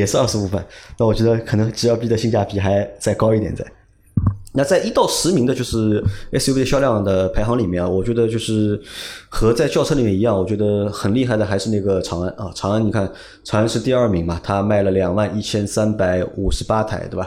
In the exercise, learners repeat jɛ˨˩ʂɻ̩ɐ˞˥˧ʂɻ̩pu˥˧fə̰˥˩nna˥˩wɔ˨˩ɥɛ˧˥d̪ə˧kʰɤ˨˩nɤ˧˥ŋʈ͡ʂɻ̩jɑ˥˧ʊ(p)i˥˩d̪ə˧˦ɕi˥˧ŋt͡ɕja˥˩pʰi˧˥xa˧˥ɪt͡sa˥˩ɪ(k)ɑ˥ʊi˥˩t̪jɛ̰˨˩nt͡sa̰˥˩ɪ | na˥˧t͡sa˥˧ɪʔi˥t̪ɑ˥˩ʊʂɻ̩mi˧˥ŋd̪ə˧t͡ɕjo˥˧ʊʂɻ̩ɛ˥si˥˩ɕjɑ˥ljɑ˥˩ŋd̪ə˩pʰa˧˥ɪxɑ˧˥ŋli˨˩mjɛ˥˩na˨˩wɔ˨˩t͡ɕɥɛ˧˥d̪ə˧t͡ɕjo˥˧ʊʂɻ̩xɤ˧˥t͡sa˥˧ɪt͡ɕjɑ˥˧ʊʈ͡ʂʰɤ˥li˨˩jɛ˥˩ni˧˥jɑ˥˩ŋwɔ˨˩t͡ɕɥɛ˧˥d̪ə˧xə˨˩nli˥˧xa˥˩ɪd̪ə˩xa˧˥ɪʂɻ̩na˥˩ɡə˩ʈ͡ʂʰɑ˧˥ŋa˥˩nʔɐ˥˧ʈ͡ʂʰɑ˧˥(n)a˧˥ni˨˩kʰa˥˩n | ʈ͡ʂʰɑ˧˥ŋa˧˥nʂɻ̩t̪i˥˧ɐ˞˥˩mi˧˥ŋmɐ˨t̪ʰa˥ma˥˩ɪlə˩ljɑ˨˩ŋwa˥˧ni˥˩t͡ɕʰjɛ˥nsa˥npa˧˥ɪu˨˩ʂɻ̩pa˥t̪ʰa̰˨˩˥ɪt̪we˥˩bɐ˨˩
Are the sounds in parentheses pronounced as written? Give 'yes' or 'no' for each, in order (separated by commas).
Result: yes, yes, no